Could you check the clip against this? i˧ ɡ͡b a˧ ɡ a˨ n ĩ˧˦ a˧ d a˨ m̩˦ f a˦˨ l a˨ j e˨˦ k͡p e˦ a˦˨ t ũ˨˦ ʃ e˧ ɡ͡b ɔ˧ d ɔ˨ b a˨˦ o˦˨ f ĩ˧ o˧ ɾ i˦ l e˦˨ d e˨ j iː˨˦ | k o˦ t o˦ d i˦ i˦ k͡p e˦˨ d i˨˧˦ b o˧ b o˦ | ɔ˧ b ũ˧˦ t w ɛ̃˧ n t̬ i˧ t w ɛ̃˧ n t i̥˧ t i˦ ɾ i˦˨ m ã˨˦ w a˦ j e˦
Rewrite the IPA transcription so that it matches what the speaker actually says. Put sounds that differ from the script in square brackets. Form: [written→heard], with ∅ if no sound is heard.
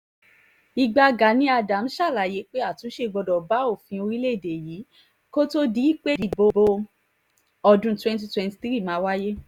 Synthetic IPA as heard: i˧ ɡ͡b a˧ ɡ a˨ n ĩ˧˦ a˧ d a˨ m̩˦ [f→ʃ] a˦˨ l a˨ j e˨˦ k͡p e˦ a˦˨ t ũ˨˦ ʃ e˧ ɡ͡b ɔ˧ d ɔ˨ b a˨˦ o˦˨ f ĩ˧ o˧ ɾ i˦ l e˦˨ d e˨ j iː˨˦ | k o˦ t o˦ d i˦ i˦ k͡p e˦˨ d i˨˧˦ b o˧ b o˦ | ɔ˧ [b→d] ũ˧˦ t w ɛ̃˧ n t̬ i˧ t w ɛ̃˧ n t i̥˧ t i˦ ɾ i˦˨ m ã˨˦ w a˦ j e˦